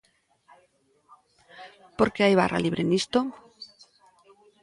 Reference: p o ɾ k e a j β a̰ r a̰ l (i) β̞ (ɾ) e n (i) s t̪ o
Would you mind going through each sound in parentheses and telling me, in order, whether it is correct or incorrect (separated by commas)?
correct, correct, correct